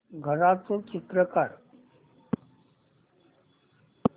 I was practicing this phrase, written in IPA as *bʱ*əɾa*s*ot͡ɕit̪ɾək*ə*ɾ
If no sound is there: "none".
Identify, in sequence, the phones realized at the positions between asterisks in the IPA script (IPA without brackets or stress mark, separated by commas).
ɡʱ, t͡s, a